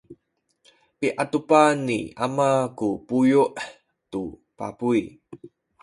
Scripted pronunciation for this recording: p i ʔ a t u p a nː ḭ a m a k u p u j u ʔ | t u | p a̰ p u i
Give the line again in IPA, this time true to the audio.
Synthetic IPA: p i ʔ a t u p a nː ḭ a m a k u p u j u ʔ | t u | p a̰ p u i